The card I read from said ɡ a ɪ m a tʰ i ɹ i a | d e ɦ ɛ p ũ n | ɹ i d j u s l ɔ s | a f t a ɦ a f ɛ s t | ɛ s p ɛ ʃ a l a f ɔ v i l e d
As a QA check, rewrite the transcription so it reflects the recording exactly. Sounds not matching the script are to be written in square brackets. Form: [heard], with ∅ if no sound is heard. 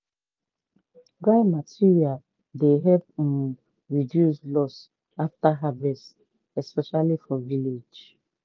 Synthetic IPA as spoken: ɡ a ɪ m a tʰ i ɹ i a | d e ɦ ɛ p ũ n | ɹ i d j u s l ɔ s | a f t a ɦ a [v] ɛ s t | ɛ s p ɛ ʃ a l [i] f ɔ v i l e [d͡ʒ]